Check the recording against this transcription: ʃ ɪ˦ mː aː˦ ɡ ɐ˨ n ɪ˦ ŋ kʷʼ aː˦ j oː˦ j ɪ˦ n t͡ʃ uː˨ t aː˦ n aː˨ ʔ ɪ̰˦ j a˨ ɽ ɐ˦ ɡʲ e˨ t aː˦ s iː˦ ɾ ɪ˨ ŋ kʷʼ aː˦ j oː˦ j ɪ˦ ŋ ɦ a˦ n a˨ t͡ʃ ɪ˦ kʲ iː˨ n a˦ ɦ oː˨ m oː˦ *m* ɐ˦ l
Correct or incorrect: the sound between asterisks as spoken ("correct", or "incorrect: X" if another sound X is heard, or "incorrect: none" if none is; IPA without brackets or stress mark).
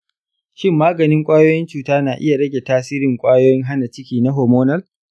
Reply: incorrect: n